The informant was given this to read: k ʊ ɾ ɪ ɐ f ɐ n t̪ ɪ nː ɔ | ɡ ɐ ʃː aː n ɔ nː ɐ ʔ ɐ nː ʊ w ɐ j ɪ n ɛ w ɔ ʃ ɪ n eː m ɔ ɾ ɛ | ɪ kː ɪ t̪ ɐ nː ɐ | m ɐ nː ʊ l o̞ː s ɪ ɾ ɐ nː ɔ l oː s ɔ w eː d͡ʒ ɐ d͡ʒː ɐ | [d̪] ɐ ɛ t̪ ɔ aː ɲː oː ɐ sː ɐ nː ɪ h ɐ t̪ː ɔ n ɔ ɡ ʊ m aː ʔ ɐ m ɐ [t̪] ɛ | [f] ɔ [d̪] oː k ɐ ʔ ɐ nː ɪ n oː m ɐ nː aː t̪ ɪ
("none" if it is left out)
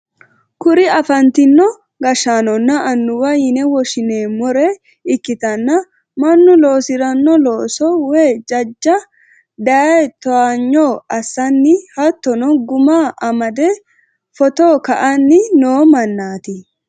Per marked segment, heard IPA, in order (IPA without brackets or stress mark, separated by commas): d̪, d̪, f, t̪